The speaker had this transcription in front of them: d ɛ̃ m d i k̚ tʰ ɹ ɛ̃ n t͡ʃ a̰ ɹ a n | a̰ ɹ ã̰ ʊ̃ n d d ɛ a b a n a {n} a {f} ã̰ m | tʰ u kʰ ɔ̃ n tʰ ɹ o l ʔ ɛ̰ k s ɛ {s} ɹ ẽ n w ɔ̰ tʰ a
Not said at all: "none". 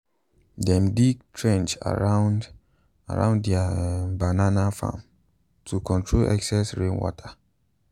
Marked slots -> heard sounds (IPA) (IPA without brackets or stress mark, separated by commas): n, f, s